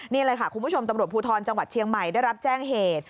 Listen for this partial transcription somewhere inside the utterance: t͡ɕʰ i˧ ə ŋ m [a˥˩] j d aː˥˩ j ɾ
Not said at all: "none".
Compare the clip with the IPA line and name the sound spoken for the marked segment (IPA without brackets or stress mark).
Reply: a˨˩